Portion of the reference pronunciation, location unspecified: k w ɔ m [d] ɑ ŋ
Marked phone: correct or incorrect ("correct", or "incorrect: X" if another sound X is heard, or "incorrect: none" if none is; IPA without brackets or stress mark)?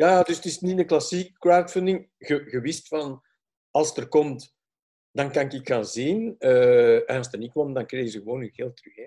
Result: correct